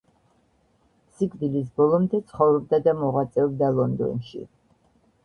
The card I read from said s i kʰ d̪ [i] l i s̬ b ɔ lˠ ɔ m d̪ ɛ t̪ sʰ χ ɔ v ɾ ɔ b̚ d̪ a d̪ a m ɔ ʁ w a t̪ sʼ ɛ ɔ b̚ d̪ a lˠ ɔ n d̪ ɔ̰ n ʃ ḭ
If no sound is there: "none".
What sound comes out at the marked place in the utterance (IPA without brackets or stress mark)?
i